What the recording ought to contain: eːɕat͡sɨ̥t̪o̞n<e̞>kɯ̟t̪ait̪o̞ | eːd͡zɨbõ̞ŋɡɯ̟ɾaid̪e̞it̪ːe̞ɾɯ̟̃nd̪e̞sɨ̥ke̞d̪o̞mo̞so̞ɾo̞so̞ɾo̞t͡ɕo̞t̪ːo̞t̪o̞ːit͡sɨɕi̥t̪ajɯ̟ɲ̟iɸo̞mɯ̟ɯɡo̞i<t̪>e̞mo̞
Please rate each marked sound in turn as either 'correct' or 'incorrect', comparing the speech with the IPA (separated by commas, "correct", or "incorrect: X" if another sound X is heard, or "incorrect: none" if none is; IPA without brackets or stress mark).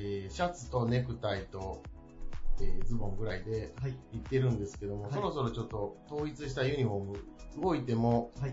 correct, correct